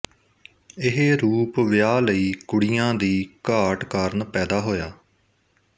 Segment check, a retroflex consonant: present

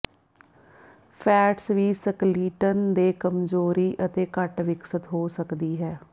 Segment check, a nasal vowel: absent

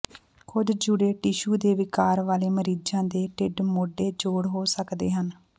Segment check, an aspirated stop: absent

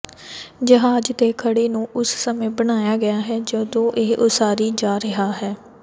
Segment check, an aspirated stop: present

